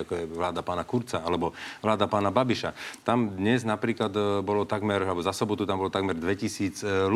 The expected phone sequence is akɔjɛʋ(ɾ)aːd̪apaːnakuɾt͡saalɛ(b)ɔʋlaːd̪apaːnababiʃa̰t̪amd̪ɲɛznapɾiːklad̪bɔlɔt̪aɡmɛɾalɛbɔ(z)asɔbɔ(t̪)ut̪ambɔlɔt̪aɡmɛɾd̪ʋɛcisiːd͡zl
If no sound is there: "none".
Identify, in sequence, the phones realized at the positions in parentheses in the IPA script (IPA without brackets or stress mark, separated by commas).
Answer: l, b, z, t̪